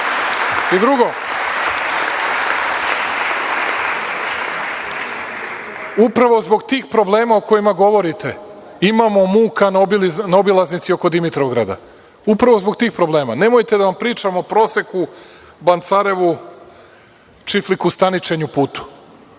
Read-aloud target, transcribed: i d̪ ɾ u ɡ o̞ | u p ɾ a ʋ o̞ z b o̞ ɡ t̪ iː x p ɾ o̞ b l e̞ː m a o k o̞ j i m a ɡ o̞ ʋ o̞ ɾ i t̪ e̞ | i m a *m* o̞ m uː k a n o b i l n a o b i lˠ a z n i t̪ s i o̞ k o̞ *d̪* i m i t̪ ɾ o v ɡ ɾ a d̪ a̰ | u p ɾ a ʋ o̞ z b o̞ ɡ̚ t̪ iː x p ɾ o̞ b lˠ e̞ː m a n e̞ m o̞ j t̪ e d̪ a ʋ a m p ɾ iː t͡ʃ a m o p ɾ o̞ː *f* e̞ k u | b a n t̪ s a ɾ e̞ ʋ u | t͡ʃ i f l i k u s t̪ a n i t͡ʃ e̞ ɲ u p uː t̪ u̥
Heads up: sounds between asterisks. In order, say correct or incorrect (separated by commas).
correct, correct, incorrect